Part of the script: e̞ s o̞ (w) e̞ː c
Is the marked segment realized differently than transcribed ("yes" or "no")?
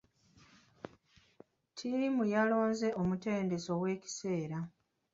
no